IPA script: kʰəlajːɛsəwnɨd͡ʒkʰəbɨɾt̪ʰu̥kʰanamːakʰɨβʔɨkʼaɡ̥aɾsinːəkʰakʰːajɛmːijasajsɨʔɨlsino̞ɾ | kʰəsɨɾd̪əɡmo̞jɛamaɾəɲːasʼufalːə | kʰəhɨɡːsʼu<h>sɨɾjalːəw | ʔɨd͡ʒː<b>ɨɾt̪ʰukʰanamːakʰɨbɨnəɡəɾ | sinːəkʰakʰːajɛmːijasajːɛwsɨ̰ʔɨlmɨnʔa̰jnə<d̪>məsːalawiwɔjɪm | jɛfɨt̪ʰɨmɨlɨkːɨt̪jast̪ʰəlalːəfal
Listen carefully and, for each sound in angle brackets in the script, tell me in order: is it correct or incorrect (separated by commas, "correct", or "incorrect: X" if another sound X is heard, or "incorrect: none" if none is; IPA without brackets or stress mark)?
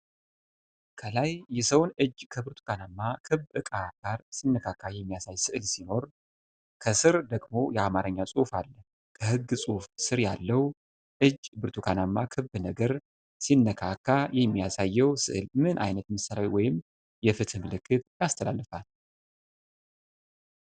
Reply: incorrect: f, correct, incorrect: t̪